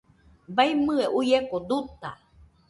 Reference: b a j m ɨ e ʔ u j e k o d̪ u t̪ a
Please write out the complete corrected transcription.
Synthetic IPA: b a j m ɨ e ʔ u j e k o d̪ u t̪ a